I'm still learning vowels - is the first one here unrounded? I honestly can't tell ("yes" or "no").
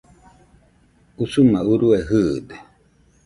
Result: no